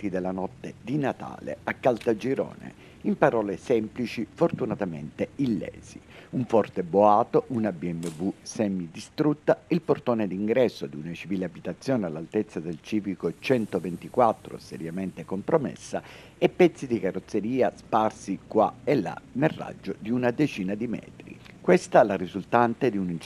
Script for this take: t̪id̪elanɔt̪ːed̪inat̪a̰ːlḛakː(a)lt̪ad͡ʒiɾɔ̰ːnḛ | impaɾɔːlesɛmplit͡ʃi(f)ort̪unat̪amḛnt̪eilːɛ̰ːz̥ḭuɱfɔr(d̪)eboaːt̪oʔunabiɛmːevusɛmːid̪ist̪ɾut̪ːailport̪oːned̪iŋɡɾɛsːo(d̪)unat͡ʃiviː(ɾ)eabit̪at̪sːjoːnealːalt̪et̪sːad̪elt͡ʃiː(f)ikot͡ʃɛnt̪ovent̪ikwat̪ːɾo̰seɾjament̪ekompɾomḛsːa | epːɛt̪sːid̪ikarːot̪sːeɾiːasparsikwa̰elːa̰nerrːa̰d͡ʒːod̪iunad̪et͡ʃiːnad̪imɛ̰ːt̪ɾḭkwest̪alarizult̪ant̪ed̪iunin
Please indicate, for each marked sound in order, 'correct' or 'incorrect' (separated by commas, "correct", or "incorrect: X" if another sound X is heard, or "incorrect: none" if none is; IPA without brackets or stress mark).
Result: correct, correct, incorrect: t̪, correct, incorrect: l, incorrect: v